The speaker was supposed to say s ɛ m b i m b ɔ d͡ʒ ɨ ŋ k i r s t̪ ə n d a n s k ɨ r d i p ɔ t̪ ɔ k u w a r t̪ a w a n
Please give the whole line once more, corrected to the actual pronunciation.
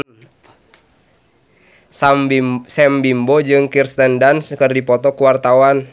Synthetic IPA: s ɛ m b i m b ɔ d͡ʒ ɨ ŋ k i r s t̪ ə n d a n s k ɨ r d i p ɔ t̪ ɔ k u w a r t̪ a w a n

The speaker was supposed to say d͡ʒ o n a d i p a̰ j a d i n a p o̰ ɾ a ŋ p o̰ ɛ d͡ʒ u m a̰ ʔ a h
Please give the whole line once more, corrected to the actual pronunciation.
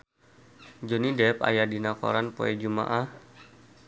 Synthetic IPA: d͡ʒ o n i d ɛ p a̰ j a d i n a k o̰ ɾ a n p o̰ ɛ d͡ʒ u m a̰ ʔ a h

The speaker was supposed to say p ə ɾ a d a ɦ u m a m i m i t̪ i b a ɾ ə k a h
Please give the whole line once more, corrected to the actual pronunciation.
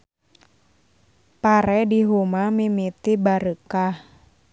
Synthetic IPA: p a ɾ ɛ d i ɦ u m a m i m i t̪ i b a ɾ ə k a h

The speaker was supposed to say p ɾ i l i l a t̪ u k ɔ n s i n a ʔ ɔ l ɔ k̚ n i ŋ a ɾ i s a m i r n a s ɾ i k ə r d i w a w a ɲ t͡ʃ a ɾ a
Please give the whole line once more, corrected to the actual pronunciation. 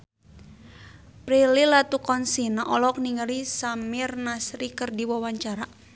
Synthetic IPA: p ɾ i l i l a t̪ u k ɔ n s i n a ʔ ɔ l ɔ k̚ n i ŋ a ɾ i s a m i r n a s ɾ i k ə r d i w a w a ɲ t͡ʃ a ɾ a

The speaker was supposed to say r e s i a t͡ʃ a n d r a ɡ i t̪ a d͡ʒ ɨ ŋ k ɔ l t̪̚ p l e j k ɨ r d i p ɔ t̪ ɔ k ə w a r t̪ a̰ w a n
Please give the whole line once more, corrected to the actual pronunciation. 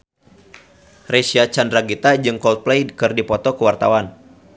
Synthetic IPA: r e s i a t͡ʃ a n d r a ɡ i t̪ a d͡ʒ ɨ ŋ k ɔ l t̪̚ p l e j k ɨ r d i p ɔ t̪ ɔ k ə w a r t̪ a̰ w a n

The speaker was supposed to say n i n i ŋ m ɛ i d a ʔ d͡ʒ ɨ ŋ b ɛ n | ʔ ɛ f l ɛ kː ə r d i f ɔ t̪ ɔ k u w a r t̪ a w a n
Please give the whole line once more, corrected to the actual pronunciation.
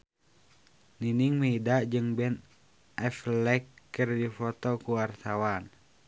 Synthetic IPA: n i n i ŋ m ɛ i d a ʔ d͡ʒ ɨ ŋ b ɛ n | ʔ ɛ f l ɛ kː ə r d i f ɔ t̪ ɔ k u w a r t̪ a w a n

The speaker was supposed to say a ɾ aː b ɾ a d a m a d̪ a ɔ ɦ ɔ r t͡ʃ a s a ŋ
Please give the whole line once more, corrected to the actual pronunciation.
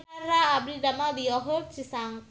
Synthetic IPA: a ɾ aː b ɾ i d a m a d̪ i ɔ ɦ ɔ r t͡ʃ i s a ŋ

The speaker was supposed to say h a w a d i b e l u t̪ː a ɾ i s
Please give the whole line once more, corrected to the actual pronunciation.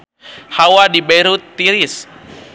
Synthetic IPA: h a w a d i b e ɾ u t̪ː i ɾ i s

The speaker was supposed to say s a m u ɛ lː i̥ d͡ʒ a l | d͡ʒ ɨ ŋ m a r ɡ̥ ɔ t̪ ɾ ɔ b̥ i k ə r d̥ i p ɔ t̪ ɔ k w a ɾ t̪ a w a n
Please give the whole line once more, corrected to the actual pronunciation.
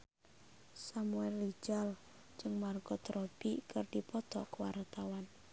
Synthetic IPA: s a m u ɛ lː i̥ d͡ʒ a l | d͡ʒ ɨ ŋ m a r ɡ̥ ɔ t̪ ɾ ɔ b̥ i k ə r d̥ i p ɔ t̪ ɔ k w a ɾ t̪ a w a n

